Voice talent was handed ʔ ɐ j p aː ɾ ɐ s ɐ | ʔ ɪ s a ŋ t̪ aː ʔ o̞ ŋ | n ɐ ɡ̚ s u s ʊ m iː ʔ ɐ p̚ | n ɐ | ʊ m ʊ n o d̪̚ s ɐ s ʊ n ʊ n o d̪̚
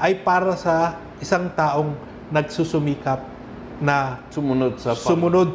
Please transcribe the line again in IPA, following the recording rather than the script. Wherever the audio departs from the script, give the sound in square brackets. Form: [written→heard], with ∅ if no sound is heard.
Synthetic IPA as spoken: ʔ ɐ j p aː ɾ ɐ s ɐ | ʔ ɪ s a ŋ t̪ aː ʔ o̞ ŋ | n ɐ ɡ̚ s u s ʊ m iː [ʔ→k] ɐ p̚ | n ɐ | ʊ m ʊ n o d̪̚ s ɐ s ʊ [n→m] ʊ n o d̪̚